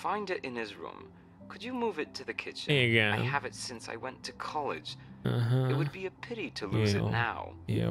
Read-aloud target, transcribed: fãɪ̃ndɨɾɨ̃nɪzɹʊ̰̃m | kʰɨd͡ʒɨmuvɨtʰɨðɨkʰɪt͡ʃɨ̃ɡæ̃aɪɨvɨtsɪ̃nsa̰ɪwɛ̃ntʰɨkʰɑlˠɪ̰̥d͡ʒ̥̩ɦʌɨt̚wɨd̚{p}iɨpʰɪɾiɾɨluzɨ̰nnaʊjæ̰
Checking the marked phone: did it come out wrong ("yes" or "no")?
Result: yes